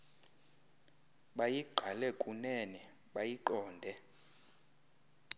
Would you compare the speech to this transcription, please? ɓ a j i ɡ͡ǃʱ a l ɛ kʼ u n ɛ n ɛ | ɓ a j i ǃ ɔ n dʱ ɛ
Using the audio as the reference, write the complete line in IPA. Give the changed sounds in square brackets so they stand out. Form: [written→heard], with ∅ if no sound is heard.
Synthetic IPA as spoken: ɓ a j i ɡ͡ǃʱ a l ɛ kʼ u n ɛ n ɛ | ɓ a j i ǃ [ɔ→ɔː] n dʱ ɛ

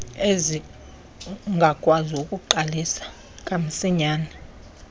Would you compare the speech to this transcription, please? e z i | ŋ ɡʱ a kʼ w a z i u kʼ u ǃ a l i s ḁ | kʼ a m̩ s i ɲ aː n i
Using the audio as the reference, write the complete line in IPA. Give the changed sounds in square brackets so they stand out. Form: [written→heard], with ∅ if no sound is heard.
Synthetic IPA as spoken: e z i | ŋ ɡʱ a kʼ w a z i u kʼ u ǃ a l i s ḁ | kʼ a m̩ s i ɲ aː n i

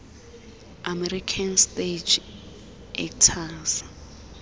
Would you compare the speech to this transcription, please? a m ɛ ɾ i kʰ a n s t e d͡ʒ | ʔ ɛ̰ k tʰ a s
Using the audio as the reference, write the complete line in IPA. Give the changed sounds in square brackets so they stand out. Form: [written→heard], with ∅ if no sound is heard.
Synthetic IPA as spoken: a m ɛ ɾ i kʰ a n s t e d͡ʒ | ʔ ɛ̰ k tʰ a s

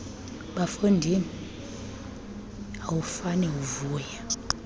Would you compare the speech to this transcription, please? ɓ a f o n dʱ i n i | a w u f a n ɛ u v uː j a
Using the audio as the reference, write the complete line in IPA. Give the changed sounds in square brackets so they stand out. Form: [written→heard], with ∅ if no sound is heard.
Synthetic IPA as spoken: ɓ a f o n dʱ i n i | a w u f a n ɛ u v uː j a

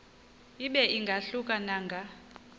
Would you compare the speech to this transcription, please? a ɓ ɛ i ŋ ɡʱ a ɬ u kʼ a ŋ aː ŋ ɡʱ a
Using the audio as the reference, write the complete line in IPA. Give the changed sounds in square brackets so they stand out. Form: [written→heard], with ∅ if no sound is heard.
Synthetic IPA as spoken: [a→i] ɓ ɛ i ŋ ɡʱ a ɬ u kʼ a [ŋ→n] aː ŋ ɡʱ a

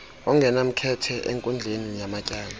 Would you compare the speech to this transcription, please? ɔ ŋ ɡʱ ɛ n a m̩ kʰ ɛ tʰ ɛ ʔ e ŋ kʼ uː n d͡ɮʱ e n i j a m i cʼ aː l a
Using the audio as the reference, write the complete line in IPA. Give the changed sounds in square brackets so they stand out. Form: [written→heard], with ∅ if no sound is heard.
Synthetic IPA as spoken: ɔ ŋ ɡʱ ɛ n a m̩ kʰ ɛ tʰ ɛ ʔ e ŋ kʼ [uː→u] n d͡ɮʱ e n i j a m [i→a] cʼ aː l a

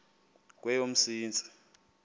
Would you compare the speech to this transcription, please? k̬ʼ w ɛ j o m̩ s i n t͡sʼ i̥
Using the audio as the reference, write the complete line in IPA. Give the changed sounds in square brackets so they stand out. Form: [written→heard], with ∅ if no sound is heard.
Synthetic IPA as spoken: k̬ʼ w ɛ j o m̩ s [i→iː] n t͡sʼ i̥

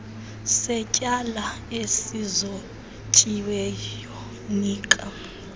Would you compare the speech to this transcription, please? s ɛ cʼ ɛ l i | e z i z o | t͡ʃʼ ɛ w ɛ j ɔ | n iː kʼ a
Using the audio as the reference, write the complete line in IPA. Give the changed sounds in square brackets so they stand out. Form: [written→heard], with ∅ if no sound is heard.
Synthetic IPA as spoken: s ɛ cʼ [ɛ→a] l [i→a] | e [z→s] i z o | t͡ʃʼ [ɛ→i] w ɛ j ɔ | n iː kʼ a

